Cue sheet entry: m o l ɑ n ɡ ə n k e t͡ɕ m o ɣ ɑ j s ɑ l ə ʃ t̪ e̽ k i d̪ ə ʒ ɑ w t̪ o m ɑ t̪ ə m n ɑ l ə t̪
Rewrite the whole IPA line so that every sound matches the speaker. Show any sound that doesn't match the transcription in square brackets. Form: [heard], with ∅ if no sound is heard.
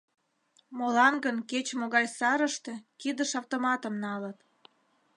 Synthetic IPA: m o l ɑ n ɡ ə n k e t͡ɕ m o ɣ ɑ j s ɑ [ɾ] ə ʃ t̪ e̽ k i d̪ ə [ʃ] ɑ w t̪ o m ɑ t̪ ə m n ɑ l ə t̪